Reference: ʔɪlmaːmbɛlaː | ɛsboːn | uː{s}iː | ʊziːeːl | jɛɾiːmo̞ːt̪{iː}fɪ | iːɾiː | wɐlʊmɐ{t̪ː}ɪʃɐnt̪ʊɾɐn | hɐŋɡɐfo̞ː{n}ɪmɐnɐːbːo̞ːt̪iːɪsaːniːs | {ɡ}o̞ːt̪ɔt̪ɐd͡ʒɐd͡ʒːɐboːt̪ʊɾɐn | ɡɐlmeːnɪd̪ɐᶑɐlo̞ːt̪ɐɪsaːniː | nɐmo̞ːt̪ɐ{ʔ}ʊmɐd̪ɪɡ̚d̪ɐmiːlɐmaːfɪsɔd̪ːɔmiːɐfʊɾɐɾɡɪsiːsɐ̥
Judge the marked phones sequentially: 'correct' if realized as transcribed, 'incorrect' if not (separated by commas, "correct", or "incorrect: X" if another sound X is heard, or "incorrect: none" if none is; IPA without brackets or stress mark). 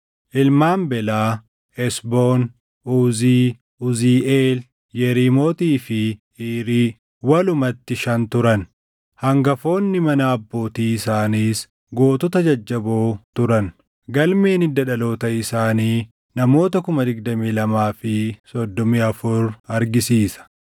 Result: incorrect: z, correct, correct, incorrect: nː, correct, incorrect: k